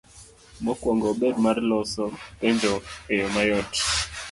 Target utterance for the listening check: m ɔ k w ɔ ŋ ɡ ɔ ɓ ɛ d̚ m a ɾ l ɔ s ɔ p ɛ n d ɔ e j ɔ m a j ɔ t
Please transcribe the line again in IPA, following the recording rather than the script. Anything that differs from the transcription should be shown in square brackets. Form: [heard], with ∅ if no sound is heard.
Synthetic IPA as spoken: m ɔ k w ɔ ŋ ɡ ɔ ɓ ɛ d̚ m a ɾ l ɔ s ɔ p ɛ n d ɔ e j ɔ m a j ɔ t